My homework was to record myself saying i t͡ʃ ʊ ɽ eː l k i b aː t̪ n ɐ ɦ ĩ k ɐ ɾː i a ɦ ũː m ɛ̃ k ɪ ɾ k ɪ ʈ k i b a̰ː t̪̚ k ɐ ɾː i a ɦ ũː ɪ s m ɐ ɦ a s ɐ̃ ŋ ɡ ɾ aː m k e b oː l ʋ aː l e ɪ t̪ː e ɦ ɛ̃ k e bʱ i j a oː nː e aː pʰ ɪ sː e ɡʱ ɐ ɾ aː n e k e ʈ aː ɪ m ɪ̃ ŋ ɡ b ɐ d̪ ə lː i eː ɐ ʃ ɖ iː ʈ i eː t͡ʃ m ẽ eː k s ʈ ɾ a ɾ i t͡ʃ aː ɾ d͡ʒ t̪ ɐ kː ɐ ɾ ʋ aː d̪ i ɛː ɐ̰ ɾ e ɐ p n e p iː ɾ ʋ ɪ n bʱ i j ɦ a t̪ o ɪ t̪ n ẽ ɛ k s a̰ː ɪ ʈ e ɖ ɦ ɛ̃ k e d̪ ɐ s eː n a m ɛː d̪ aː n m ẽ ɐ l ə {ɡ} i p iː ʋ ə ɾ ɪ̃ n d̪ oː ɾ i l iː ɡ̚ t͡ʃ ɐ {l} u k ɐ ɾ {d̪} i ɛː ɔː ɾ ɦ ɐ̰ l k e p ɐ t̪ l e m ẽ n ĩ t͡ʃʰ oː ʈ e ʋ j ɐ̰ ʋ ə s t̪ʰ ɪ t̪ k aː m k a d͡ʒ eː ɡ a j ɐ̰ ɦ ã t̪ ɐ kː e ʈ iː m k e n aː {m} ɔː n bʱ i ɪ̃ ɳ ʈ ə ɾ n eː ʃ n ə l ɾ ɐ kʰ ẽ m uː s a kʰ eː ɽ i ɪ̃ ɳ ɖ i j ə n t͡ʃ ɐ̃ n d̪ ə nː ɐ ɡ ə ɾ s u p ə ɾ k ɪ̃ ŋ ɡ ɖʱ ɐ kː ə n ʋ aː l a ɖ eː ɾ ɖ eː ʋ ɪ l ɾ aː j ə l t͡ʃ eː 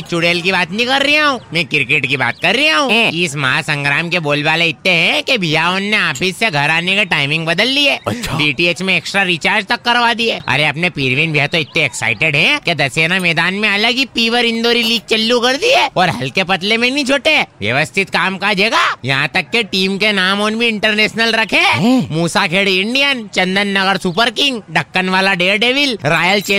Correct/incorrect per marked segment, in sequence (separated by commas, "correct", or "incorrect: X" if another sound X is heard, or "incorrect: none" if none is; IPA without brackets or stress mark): correct, incorrect: lː, correct, correct